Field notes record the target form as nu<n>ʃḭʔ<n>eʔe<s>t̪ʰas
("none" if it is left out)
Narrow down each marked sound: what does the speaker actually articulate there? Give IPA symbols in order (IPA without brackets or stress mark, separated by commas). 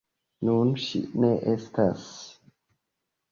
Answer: n, n, s